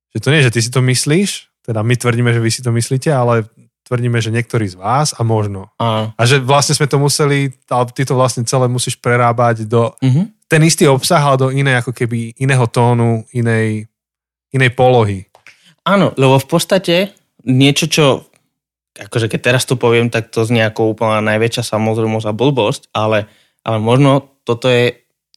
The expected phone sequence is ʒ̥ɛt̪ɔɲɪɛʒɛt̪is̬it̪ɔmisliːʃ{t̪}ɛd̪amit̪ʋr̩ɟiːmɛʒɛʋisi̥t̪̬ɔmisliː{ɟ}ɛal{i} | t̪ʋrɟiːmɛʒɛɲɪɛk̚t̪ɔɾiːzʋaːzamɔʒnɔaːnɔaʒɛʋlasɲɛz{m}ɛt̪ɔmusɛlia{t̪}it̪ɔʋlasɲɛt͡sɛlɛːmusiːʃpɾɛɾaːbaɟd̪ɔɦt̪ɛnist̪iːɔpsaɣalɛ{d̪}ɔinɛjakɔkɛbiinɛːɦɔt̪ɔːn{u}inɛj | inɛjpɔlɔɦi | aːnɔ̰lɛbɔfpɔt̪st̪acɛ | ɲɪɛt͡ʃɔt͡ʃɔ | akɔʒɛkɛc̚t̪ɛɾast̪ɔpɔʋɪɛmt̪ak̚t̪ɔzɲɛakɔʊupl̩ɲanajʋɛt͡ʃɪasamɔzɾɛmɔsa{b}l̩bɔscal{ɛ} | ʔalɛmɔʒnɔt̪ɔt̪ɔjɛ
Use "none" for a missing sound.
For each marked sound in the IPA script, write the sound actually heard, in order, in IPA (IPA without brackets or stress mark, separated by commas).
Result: t̪, c, ɛ, m, t̪, d̪, u, b, ɛ